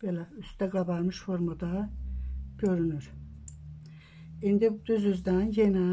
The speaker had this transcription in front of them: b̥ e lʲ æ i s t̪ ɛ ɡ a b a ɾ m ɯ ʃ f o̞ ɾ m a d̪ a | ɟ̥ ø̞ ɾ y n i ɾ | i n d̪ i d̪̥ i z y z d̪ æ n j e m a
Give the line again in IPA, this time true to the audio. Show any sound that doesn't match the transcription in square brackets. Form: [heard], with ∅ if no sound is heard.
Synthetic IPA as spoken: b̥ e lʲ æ [y] s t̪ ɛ ɡ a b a ɾ m ɯ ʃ f o̞ ɾ m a d̪ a | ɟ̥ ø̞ ɾ y n [y] ɾ | i n d̪ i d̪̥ [y] z y z d̪ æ n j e [n] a